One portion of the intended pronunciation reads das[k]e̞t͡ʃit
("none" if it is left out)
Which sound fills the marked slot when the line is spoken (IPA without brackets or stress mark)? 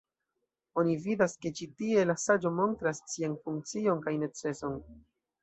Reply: k